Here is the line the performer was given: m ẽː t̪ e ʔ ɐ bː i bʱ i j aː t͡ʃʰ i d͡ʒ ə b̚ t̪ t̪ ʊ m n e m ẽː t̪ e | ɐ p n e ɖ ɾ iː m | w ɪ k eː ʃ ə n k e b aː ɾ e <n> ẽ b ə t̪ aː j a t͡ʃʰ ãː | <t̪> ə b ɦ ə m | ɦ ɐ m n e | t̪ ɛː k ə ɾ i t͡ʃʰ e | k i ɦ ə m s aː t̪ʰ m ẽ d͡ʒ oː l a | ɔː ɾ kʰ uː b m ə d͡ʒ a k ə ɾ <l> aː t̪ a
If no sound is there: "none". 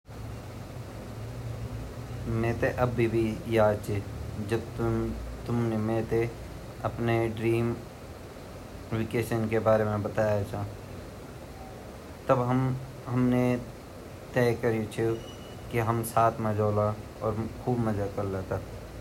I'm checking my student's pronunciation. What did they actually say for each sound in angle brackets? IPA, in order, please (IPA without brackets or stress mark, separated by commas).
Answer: m, t̪, l